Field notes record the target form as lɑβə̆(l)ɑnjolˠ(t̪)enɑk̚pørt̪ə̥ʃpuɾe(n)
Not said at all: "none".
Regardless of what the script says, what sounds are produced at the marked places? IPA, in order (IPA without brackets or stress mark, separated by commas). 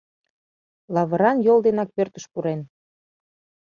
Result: ɾ, d̪, n